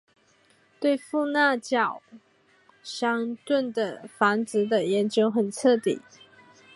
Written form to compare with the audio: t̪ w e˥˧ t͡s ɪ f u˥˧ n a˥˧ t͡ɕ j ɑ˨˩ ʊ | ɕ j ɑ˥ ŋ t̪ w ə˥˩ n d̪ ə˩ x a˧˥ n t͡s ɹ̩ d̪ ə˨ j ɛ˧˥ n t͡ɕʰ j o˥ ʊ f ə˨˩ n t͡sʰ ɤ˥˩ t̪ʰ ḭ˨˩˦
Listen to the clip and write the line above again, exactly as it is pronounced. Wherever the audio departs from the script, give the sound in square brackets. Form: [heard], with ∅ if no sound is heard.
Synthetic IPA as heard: t̪ w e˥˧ [∅] ɪ f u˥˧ n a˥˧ t͡ɕ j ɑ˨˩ ʊ | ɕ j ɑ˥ ŋ t̪ w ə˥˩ n d̪ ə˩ [f] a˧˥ n t͡s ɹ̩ d̪ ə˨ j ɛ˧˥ n [t͡ɕ] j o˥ ʊ [x] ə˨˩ n t͡sʰ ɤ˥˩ [t̪] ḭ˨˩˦